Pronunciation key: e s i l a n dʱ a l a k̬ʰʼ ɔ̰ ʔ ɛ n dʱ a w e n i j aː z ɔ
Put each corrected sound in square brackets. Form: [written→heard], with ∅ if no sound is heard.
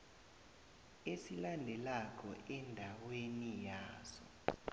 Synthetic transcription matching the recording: e s i l a n dʱ [a→ɛ] l a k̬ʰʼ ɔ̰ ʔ ɛ n dʱ a w e n i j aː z ɔ